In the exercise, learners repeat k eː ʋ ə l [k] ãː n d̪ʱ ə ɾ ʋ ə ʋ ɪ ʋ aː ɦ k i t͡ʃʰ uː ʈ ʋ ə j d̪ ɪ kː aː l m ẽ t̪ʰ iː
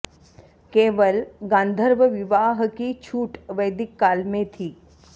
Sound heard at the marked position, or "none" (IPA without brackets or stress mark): ɡ